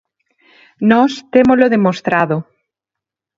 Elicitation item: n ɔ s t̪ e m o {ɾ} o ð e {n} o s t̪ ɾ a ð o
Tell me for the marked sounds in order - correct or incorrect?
incorrect: l, incorrect: m

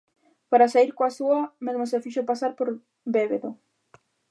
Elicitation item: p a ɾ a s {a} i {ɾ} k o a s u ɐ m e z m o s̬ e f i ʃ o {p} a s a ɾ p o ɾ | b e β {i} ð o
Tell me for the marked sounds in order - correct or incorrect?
correct, correct, correct, incorrect: e

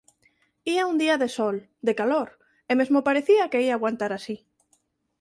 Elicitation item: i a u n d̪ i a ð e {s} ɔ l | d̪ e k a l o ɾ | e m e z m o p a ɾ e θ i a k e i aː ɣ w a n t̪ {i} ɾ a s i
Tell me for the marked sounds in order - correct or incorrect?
correct, incorrect: a

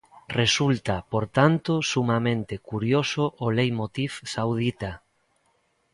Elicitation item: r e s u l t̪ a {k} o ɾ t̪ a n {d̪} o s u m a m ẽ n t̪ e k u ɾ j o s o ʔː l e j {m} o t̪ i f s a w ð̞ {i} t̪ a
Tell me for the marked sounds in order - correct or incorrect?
incorrect: p, incorrect: t̪, correct, correct

